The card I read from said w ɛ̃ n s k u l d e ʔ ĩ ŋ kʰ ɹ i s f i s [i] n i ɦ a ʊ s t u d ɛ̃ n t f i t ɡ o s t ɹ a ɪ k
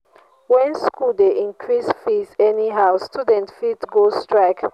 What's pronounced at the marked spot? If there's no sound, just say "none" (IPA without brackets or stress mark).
ɛ